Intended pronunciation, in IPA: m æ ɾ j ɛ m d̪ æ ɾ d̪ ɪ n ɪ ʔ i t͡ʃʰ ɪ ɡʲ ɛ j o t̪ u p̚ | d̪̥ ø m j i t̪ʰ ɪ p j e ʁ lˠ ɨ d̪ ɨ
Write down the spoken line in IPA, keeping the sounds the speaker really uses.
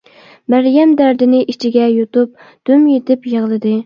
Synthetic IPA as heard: m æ ɾ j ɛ m d̪ æ ɾ d̪ ɪ n ɪ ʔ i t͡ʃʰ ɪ ɡʲ ɛ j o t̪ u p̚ | d̪̥ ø m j e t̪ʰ ɪ p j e ʁ lˠ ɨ d̪ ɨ